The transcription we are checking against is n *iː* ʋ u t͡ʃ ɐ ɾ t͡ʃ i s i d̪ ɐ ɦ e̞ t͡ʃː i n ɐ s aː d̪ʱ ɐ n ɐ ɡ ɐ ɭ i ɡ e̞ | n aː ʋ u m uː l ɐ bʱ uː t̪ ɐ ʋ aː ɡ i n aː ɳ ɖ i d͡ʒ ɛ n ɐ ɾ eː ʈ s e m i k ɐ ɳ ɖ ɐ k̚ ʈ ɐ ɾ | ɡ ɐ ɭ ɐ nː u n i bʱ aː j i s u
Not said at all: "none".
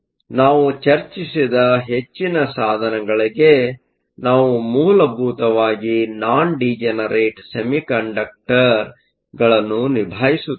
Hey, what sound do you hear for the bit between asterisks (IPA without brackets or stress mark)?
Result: aː